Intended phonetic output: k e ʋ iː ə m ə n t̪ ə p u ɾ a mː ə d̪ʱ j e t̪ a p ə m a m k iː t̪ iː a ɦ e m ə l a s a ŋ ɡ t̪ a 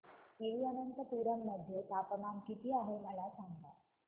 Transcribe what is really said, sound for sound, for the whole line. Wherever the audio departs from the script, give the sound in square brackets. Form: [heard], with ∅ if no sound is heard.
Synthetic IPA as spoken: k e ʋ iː ə [n] ə n t̪ ə p u ɾ [ə] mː ə d̪ʱ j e t̪ a p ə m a m k [i] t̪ iː a ɦ e m ə l a s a ŋ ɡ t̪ a